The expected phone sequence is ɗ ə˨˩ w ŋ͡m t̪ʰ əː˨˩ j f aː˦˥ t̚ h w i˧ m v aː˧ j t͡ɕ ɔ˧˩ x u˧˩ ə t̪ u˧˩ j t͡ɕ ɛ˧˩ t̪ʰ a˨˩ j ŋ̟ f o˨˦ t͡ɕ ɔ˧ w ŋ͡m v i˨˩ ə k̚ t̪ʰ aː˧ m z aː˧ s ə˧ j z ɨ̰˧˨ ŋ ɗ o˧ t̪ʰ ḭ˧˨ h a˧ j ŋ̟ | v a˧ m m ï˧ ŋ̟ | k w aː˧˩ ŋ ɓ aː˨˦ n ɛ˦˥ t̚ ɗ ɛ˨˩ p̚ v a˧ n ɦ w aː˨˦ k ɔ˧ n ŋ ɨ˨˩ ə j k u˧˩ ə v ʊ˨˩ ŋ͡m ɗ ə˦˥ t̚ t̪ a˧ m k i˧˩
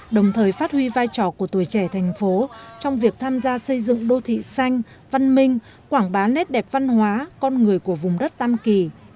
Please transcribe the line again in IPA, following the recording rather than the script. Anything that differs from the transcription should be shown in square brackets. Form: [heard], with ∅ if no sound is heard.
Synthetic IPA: ɗ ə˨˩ w ŋ͡m t̪ʰ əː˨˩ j f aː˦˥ t̚ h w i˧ [∅] v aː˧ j t͡ɕ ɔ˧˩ [k] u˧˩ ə t̪ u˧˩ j t͡ɕ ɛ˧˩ t̪ʰ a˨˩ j ŋ̟ f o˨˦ t͡ɕ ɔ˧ w ŋ͡m v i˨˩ ə k̚ t̪ʰ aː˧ m z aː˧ s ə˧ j z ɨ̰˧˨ ŋ ɗ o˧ t̪ʰ ḭ˧˨ [s] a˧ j ŋ̟ | v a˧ [n] m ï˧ ŋ̟ | k w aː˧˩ ŋ ɓ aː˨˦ n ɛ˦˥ t̚ ɗ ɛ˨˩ p̚ v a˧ n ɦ w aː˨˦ k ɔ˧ n ŋ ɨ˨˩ ə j k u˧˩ ə v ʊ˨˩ ŋ͡m ɗ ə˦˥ t̚ t̪ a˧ m k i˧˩